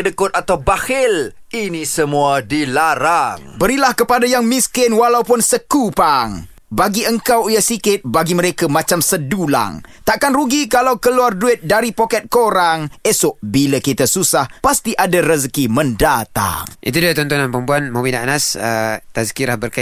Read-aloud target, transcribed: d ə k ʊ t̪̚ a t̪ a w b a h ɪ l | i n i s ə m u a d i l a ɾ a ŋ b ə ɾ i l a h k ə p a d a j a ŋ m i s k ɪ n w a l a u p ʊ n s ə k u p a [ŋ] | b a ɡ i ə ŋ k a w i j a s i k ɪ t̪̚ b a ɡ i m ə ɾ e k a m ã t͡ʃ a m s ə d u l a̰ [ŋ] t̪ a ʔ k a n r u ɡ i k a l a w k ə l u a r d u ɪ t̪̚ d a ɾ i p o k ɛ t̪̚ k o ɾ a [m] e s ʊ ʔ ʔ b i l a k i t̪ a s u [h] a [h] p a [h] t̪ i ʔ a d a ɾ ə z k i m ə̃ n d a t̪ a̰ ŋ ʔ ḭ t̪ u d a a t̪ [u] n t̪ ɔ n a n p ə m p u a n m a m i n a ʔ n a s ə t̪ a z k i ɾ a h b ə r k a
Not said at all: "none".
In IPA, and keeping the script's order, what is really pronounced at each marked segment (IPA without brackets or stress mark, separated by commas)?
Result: ŋ, ŋ, ŋ, s, h, s, ɔ